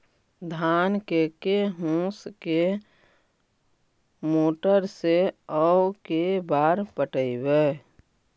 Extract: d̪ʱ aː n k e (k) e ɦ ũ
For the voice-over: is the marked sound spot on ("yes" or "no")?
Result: yes